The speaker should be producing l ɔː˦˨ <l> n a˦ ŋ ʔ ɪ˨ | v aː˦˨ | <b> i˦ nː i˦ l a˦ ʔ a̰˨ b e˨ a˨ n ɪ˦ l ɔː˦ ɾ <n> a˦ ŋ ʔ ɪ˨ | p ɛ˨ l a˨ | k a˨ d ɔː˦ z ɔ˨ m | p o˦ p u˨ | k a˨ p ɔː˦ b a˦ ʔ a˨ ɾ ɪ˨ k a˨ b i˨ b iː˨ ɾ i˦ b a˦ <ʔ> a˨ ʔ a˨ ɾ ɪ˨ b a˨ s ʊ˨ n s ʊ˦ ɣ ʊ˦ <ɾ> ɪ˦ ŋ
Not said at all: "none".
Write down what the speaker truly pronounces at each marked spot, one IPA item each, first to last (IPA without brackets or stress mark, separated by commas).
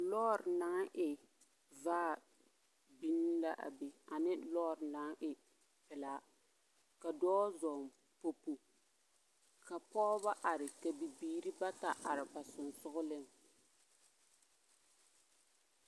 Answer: ɾ, b, n, t, l